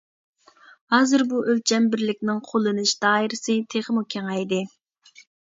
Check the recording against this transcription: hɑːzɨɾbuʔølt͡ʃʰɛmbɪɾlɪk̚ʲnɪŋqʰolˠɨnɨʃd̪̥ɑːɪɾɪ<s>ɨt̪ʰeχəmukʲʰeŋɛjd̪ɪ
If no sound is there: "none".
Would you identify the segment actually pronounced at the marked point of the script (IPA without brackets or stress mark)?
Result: s